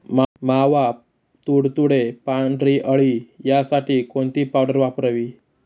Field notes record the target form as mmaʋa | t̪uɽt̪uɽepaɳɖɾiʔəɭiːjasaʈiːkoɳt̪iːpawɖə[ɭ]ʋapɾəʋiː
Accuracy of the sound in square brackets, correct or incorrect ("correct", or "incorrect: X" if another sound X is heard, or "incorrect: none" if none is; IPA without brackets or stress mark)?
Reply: incorrect: ɾ